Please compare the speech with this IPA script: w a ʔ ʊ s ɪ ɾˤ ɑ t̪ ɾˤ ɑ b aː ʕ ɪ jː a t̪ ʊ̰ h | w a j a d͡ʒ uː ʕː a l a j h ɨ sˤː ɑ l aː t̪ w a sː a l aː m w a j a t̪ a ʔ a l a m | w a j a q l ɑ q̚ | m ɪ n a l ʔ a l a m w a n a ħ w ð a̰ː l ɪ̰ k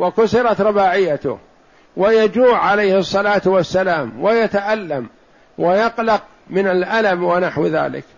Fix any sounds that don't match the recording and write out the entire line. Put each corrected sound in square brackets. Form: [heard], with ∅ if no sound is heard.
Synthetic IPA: w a [k] ʊ s ɪ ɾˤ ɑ t̪ ɾˤ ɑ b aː ʕ ɪ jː a t̪ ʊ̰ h | w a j a d͡ʒ uː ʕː a l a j h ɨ sˤː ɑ l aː t̪ w a sː a l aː m w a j a t̪ a ʔ a [lː] a m | w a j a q l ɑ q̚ | m ɪ n a l ʔ a l a m w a n a ħ w ð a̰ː l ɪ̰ k